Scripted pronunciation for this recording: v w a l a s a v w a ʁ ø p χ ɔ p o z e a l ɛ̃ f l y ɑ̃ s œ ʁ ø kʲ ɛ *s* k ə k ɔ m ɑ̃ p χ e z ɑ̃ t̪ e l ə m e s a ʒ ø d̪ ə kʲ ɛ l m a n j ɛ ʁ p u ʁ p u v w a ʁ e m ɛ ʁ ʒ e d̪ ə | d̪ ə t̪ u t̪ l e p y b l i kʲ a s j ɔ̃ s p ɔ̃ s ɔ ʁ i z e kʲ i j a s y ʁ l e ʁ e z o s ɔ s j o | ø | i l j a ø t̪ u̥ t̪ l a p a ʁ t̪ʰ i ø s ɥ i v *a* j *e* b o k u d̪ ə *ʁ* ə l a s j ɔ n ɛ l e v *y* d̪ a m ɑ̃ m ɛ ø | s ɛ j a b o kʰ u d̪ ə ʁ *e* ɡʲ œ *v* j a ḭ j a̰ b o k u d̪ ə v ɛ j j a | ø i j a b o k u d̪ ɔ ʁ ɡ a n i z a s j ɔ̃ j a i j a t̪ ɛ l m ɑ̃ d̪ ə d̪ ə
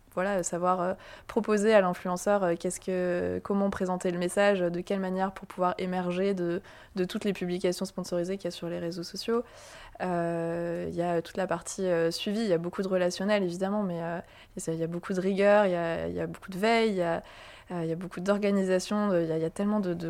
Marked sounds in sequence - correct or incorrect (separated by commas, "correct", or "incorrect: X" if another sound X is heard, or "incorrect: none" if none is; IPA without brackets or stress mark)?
correct, incorrect: i, incorrect: a, correct, incorrect: i, incorrect: i, incorrect: ʁ